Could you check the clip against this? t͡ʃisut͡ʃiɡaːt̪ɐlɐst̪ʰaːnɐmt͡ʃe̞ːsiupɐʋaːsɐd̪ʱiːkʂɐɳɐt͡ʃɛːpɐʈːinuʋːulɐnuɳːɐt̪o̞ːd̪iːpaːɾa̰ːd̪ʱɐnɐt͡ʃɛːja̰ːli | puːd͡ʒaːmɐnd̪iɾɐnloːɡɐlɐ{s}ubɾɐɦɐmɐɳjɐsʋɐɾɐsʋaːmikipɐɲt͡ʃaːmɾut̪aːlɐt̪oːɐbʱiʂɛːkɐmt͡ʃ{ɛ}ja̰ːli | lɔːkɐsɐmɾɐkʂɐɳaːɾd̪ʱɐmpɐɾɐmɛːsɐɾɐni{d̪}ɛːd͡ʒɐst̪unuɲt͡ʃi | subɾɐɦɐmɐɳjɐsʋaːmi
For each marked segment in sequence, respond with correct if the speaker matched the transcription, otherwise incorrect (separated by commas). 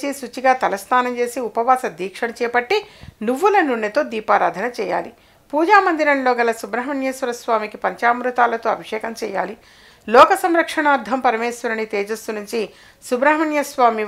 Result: correct, incorrect, incorrect